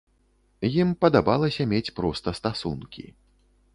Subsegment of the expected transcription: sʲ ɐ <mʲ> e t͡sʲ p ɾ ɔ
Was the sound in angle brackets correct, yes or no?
yes